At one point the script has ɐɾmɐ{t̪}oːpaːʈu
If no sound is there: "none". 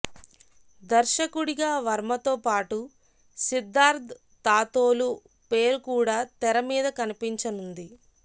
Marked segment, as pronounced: t̪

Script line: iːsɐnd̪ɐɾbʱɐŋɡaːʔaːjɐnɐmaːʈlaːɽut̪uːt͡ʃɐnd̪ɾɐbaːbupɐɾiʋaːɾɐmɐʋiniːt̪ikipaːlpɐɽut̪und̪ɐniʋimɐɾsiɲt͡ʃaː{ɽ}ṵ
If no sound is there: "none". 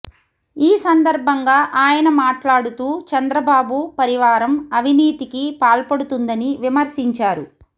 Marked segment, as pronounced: ɾ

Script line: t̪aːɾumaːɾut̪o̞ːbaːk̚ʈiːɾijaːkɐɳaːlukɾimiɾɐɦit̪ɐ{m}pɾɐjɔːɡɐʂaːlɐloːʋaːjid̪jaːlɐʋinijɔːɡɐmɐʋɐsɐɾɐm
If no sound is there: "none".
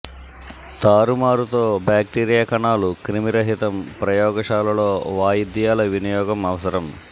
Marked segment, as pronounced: m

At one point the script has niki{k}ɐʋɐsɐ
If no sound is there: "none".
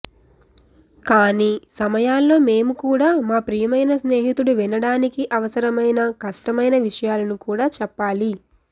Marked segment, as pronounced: ʔ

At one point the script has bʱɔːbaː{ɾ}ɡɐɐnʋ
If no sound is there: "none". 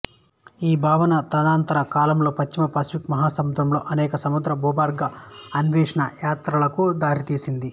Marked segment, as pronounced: ɾ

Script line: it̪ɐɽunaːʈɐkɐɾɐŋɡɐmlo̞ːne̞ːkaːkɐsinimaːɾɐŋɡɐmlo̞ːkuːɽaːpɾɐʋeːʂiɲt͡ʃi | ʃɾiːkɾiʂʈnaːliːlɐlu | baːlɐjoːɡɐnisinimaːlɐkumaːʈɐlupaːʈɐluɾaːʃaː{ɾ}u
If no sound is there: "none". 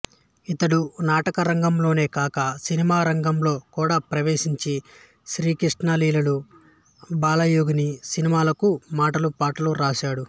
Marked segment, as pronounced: ɽ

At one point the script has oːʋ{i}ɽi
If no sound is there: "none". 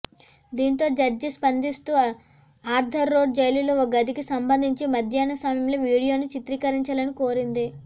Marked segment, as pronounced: iː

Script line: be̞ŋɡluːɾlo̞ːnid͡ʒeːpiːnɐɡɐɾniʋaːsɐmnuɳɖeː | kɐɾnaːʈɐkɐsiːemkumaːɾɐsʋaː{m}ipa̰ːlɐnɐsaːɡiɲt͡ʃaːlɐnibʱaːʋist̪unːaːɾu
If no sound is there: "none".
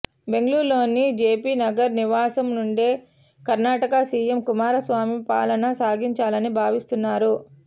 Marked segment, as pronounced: m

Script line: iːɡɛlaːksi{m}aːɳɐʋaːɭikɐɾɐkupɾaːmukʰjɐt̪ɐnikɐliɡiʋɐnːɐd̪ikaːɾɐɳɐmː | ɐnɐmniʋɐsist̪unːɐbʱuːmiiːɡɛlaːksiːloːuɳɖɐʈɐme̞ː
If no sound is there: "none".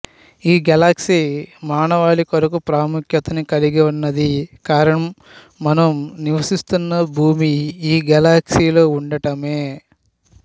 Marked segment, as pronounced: m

